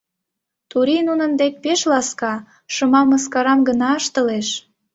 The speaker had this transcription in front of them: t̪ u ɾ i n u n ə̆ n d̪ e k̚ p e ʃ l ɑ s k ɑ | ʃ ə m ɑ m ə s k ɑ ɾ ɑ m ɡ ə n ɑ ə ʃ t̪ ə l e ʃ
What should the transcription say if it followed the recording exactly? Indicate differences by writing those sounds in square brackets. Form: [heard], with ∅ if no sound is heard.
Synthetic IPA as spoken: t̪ u ɾ i n u n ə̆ n d̪ e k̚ p e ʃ l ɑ s k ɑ | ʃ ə m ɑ m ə s k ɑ ɾ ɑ m ɡ ə n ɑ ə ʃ t̪ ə l e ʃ